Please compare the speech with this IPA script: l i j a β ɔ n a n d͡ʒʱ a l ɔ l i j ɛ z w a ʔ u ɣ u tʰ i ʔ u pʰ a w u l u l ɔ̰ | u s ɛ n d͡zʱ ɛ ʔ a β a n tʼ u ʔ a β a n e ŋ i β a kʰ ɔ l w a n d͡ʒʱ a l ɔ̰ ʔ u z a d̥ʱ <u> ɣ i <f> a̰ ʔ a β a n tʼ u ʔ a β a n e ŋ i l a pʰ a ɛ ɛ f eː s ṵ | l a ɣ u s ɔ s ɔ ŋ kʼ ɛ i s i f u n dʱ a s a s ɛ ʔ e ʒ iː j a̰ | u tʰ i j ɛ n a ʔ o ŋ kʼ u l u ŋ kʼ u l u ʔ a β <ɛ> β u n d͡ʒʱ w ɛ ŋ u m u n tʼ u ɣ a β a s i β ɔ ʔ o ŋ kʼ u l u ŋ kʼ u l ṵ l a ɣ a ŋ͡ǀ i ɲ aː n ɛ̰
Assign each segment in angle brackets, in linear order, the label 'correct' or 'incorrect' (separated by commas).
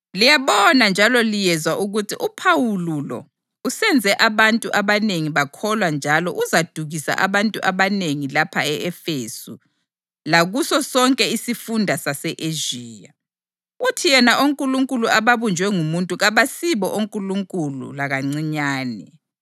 correct, incorrect, incorrect